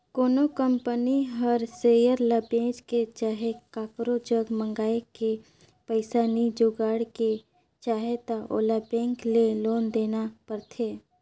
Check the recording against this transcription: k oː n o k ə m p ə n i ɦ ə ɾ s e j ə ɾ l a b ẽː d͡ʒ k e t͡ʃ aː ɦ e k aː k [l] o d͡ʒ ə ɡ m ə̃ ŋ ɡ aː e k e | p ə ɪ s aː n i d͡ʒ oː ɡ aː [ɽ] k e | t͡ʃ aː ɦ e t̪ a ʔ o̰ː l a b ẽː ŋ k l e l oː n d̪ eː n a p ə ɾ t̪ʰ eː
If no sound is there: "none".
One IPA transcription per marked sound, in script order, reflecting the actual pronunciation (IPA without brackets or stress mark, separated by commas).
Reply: ɾ, ɽ